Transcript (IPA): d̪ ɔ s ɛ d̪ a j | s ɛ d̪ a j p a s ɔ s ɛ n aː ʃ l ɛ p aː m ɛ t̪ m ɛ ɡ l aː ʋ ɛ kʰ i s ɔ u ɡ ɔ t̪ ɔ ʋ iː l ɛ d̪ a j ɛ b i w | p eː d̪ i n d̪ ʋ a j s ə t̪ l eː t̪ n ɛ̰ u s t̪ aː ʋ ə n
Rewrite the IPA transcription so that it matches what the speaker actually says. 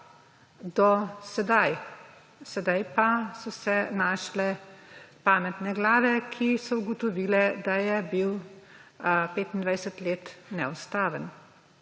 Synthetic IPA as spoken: d̪ ɔ s ɛ d̪ a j | s ɛ d̪ a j p a s ɔ s ɛ n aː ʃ l ɛ p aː m ɛ t̪ n ɛ ɡ l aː ʋ ɛ kʰ i s ɔ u ɡ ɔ t̪ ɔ ʋ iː l ɛ d̪ a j ɛ b i w | p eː t̪ i n d̪ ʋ a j s ə t̪ l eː t̪ n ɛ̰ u s t̪ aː ʋ ə n